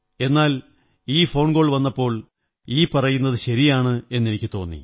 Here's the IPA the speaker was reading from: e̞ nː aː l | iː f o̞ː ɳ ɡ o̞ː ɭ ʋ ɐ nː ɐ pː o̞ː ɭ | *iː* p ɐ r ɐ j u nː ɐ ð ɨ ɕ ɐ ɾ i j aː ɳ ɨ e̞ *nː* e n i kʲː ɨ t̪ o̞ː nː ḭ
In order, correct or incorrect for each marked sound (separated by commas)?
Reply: correct, correct